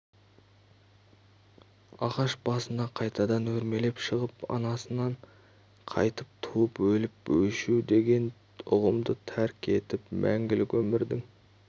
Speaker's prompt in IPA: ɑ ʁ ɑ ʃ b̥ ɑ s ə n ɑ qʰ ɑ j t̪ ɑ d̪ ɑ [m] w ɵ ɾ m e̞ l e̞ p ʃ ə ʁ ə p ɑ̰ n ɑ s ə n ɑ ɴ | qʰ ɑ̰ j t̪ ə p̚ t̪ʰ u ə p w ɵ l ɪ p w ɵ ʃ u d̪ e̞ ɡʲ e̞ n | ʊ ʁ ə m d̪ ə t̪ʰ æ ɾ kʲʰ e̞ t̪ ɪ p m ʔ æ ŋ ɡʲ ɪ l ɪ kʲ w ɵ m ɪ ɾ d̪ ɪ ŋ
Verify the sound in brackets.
incorrect: n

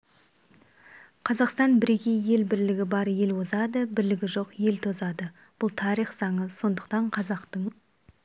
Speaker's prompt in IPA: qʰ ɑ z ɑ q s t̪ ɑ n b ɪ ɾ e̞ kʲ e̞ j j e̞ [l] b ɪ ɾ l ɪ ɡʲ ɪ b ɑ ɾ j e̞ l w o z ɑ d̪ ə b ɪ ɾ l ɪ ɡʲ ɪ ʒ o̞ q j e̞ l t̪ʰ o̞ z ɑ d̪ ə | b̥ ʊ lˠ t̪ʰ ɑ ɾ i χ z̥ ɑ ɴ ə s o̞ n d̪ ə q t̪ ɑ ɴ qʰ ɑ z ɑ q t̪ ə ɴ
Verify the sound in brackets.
correct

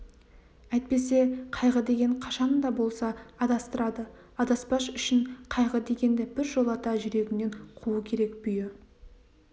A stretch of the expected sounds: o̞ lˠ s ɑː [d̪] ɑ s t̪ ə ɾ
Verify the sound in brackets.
correct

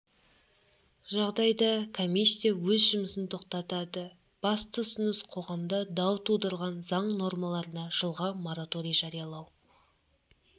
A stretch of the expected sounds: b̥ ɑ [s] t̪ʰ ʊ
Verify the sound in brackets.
correct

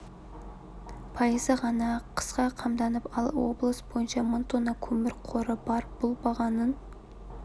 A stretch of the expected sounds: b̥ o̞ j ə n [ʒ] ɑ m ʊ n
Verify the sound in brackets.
incorrect: ʃ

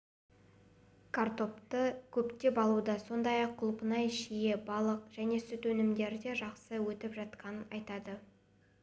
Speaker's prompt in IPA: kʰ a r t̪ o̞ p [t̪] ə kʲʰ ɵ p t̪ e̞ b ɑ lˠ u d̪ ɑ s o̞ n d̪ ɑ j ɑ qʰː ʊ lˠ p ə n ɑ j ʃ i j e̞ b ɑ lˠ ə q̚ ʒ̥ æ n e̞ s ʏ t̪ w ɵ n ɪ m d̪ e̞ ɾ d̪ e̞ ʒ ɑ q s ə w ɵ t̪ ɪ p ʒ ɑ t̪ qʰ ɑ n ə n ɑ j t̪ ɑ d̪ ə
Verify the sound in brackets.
correct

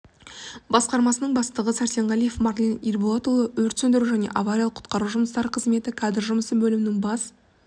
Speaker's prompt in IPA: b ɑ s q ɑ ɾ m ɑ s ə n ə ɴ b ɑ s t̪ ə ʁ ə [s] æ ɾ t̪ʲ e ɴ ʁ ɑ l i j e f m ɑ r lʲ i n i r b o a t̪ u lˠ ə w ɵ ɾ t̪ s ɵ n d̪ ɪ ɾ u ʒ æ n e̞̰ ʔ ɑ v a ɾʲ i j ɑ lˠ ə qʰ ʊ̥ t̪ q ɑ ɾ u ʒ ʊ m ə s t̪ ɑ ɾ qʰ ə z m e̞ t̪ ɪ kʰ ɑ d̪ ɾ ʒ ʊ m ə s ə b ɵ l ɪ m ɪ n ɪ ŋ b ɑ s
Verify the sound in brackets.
correct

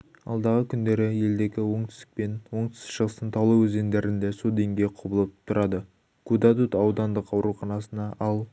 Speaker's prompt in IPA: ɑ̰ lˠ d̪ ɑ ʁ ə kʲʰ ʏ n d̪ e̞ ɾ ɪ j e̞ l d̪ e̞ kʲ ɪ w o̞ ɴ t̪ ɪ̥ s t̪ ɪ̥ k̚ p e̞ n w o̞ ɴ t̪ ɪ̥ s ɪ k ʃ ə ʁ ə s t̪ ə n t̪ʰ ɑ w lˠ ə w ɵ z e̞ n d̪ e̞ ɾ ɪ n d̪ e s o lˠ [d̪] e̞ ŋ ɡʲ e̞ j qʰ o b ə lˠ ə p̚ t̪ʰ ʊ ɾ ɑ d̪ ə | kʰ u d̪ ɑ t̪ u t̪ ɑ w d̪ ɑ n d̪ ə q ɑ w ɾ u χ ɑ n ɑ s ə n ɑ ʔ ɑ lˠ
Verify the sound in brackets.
correct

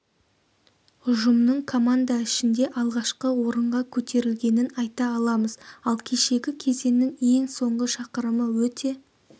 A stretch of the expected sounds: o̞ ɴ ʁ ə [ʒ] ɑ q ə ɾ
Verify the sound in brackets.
incorrect: ʃ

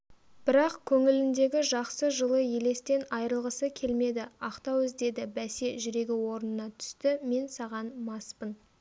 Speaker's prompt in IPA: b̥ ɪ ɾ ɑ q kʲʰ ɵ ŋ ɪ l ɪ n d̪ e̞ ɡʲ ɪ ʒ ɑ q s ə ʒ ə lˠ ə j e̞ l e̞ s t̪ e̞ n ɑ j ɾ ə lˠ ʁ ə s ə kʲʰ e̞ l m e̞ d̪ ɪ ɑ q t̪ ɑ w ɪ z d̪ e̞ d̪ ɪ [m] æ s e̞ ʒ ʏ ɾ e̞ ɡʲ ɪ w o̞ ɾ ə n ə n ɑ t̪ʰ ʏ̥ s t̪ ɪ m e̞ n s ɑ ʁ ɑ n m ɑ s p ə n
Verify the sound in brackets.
incorrect: b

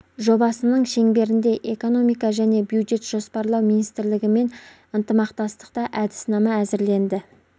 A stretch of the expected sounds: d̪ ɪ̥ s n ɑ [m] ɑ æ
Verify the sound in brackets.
correct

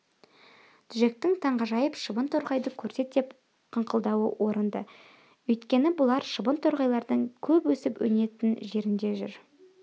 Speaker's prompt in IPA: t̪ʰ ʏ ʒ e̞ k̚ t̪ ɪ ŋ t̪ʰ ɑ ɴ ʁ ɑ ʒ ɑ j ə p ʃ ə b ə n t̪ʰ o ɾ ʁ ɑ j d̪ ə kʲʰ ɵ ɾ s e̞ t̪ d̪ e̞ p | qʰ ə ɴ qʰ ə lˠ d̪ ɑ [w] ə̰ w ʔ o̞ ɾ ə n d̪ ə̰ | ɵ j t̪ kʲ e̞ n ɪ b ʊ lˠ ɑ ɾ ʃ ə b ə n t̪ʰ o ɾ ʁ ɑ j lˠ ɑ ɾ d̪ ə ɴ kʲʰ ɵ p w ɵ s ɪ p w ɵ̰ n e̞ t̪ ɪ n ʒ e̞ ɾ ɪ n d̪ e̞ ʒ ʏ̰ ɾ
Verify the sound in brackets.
correct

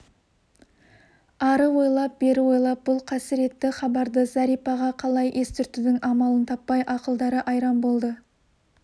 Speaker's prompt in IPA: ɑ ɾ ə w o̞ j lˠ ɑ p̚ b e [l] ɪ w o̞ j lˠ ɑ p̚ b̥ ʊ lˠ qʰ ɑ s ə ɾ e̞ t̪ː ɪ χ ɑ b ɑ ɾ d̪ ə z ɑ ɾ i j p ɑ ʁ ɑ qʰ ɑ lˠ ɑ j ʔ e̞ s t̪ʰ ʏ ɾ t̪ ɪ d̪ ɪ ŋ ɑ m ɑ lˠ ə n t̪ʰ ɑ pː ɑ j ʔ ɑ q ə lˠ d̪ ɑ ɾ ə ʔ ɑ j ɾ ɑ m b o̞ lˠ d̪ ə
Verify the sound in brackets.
incorrect: ɾ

